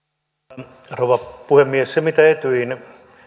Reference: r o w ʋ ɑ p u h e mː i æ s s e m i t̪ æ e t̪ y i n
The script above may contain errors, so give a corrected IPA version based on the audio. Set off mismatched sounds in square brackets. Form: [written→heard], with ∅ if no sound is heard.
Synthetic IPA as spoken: r o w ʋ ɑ p u h e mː i [æ→e] s s e m i t̪ æ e t̪ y i n